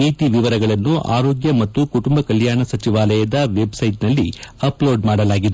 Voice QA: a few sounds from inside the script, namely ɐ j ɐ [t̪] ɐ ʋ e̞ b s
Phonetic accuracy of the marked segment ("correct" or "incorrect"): incorrect